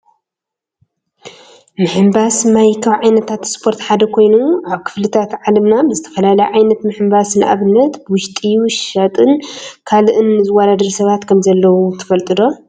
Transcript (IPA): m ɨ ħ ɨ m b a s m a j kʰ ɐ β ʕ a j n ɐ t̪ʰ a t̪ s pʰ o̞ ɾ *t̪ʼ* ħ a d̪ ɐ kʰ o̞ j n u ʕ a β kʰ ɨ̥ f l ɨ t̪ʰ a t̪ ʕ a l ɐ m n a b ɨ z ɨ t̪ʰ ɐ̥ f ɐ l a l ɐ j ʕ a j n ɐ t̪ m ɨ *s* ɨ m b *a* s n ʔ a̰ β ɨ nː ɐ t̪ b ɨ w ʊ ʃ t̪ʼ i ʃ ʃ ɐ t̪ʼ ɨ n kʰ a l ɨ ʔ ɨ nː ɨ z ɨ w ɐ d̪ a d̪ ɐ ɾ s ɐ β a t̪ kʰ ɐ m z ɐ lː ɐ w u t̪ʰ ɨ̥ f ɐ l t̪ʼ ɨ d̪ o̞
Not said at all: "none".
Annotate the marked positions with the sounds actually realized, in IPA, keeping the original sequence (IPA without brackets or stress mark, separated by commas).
t̪, ħ, a